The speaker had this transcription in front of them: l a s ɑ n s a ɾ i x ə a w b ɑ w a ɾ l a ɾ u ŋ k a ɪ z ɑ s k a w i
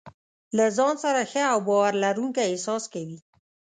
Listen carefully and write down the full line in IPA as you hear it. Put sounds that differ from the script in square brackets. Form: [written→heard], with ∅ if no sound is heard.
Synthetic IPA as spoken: l a [s→z] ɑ n s a ɾ [i→a] x ə a w b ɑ w a ɾ l a ɾ u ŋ k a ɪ [z→s] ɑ s k a w i